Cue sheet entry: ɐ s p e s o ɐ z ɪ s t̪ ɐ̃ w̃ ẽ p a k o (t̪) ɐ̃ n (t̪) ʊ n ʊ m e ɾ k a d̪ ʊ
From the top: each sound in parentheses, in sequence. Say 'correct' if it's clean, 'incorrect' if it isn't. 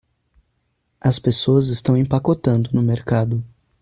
correct, incorrect

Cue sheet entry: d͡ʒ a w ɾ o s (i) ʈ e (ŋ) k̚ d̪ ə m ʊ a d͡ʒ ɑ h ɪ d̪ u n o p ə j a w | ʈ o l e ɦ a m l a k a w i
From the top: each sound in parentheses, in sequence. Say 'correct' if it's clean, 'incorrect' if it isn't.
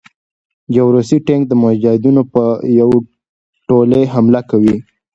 correct, correct

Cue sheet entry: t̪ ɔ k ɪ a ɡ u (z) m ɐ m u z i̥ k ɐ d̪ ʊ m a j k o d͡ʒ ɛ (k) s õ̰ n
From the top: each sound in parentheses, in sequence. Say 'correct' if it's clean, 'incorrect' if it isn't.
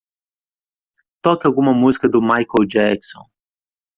incorrect, correct

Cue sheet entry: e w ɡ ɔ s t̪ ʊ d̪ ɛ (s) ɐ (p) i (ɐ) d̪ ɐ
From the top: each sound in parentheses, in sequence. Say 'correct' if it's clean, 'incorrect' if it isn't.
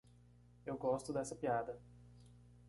correct, correct, incorrect

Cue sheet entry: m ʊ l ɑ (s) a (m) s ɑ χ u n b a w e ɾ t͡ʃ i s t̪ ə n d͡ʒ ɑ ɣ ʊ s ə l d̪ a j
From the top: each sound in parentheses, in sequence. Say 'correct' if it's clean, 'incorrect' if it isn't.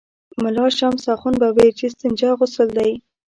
incorrect, correct

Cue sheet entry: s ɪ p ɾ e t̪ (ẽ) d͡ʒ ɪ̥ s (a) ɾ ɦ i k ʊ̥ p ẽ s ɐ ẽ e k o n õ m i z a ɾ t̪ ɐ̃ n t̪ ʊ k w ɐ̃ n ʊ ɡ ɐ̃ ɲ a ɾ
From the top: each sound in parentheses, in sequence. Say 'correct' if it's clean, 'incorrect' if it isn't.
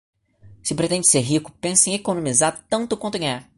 correct, incorrect

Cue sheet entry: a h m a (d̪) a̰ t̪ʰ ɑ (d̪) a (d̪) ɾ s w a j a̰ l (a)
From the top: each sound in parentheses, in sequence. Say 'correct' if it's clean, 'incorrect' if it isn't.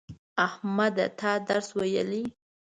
correct, correct, incorrect, incorrect

